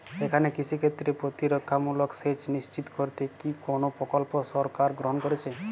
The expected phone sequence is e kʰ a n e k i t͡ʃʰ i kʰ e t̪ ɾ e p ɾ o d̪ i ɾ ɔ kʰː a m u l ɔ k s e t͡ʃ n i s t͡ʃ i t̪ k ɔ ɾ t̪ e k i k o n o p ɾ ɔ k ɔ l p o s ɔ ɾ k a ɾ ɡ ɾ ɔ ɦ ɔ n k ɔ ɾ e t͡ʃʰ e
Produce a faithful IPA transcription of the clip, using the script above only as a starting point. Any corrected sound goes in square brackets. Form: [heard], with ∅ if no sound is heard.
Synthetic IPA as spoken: e kʰ a n e k i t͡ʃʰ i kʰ e t̪ ɾ e p ɾ o [t̪] i ɾ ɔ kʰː a m u l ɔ k s e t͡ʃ n i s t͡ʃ i t̪ k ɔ ɾ t̪ e k i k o n o p ɾ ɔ k ɔ l p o s ɔ ɾ k a ɾ ɡ ɾ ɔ ɦ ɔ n k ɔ ɾ e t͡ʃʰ e